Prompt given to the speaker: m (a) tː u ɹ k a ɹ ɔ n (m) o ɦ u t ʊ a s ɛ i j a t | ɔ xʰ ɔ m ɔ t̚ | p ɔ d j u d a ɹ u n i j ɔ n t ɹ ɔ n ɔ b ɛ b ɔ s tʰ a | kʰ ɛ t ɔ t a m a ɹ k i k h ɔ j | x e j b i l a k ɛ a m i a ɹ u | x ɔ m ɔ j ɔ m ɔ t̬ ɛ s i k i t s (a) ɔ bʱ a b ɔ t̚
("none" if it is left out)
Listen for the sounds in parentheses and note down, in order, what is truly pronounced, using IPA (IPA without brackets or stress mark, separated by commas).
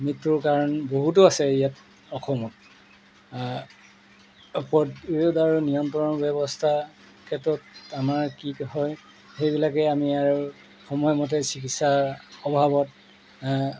i, b, a